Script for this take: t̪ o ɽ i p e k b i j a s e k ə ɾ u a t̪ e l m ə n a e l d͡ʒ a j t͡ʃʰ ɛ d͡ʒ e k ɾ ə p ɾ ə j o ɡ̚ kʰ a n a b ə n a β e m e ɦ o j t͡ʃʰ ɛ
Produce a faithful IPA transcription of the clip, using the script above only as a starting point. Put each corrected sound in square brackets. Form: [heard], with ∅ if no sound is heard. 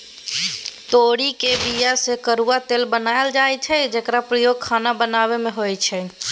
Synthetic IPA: t̪ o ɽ i [k] e [∅] b i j a s e k ə ɾ u a t̪ e l [b] ə n a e l d͡ʒ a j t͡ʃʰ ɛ d͡ʒ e k ɾ [a] p ɾ ə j o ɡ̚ kʰ a n a b ə n a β e m e ɦ o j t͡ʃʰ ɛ